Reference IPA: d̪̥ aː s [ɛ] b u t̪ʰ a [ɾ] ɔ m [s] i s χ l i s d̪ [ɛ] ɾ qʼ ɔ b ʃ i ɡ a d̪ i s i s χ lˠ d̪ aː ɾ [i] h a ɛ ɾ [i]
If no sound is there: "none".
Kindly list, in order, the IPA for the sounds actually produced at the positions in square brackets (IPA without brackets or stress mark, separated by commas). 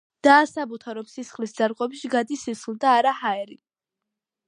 a, ɾ, s, a, a, i